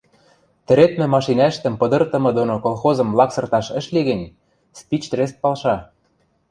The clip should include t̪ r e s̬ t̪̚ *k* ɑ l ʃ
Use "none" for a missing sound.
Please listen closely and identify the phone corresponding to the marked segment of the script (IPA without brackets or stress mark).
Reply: p